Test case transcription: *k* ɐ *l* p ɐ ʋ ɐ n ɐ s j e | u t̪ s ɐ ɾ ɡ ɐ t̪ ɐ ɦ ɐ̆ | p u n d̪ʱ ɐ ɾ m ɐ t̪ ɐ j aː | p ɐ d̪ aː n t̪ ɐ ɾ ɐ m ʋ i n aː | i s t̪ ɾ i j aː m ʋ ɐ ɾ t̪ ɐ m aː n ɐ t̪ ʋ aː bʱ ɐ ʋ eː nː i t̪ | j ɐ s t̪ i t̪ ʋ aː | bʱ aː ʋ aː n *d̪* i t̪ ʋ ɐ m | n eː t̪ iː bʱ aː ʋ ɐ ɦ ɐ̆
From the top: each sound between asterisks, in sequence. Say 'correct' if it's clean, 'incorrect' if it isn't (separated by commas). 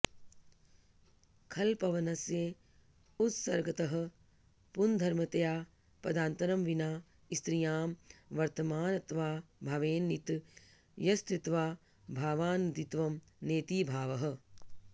incorrect, correct, correct